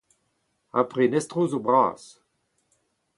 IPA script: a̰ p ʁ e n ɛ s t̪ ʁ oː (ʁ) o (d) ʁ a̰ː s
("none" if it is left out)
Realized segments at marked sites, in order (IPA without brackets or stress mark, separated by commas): z, b